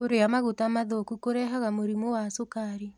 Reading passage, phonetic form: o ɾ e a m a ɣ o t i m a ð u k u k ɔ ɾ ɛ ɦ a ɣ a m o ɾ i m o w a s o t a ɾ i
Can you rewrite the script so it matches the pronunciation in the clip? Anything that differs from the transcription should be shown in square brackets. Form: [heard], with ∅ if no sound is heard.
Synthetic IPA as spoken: o ɾ e a m a ɣ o t [a] m a ð [o] k u k [o] ɾ ɛ ɦ a ɣ a m o ɾ i m o w a s o [k] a ɾ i